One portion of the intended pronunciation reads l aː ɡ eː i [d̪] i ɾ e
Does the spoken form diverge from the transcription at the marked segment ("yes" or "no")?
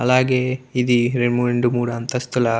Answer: no